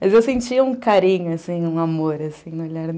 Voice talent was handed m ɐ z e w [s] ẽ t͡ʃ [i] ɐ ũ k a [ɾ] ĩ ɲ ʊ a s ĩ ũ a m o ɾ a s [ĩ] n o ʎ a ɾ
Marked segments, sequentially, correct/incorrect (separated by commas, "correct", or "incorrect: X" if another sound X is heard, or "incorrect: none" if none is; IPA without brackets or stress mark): correct, correct, correct, correct